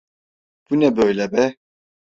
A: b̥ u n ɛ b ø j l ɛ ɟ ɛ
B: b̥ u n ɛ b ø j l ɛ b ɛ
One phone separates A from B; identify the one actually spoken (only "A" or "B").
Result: B